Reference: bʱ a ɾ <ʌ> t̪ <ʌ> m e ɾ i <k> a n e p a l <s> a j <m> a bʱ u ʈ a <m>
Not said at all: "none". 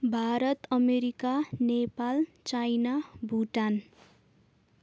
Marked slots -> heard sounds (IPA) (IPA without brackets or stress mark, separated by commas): ʌ, ʌ, k, t͡s, n, n